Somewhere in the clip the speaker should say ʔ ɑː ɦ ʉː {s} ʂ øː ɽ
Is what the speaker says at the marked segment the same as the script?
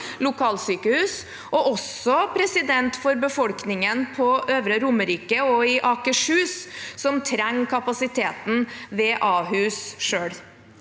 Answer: yes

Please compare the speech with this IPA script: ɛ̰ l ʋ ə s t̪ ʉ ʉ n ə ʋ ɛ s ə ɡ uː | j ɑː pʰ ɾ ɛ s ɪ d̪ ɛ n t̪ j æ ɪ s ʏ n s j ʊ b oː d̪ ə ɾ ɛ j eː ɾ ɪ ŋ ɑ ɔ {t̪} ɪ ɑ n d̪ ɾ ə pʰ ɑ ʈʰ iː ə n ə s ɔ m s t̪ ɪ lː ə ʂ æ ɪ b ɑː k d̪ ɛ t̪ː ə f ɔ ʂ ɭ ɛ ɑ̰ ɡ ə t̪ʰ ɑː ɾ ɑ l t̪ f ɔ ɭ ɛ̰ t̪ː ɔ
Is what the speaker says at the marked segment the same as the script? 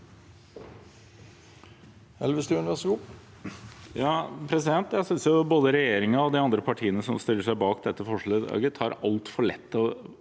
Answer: no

